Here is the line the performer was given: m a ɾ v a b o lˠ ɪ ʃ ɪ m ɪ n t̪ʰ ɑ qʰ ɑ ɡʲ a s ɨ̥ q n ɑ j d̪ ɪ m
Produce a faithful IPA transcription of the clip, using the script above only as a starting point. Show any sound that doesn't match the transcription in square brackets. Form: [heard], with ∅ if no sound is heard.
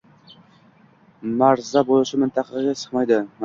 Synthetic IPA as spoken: m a ɾ [z] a b o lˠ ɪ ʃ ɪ m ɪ n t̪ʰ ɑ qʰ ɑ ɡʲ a s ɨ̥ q [m] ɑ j d̪ ɪ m